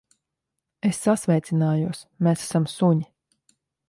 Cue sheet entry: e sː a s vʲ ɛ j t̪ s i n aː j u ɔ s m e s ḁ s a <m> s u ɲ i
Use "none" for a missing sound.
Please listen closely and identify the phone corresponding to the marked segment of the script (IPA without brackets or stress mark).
m